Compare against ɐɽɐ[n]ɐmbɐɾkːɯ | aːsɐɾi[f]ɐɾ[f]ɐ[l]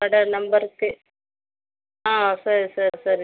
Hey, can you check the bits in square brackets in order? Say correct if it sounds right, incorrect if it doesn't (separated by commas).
correct, incorrect, incorrect, incorrect